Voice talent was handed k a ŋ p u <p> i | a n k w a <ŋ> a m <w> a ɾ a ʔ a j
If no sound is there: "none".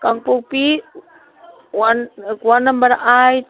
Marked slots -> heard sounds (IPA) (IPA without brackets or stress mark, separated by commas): p, n, b